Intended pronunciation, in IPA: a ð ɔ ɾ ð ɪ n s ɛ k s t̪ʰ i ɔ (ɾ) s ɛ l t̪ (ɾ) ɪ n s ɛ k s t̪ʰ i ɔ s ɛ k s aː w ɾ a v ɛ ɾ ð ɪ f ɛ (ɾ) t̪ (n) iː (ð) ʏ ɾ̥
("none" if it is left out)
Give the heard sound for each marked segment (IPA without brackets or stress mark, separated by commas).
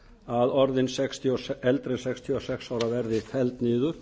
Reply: none, ɾ, l, n, ð